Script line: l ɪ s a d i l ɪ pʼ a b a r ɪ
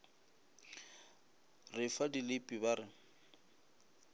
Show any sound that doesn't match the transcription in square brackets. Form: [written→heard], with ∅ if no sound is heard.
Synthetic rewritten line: [l→r] ɪ [s→f] a d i l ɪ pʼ [a→i] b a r ɪ